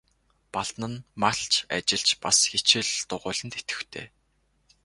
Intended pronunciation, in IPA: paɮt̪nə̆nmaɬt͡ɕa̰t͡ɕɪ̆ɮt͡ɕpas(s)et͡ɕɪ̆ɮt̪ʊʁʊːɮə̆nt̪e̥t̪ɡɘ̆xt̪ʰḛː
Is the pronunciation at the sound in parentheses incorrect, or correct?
incorrect